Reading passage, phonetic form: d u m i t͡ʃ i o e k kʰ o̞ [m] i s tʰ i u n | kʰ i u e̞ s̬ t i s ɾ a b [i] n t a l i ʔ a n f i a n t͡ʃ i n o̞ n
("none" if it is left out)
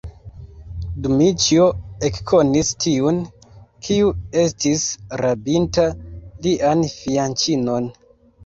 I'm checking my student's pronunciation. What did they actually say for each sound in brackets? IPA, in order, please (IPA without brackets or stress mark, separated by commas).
n, i